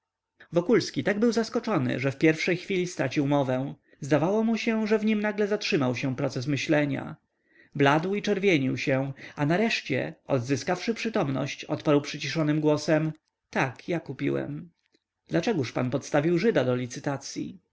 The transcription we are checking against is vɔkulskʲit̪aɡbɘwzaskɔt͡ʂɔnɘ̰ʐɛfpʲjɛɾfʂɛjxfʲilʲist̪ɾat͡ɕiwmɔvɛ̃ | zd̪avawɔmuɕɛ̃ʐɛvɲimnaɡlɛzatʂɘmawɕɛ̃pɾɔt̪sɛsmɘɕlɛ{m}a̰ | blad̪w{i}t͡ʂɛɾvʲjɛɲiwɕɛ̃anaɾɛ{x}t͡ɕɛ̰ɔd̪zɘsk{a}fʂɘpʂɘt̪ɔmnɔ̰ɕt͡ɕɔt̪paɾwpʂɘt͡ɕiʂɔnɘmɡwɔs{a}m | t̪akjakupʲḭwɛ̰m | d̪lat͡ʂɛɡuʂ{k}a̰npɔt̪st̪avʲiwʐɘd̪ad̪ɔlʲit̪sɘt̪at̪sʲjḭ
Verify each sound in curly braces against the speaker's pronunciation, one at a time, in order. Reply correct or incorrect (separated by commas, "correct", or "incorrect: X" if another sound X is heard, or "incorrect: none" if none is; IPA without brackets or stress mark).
incorrect: ɲ, correct, incorrect: ʂ, correct, incorrect: ɛ, incorrect: p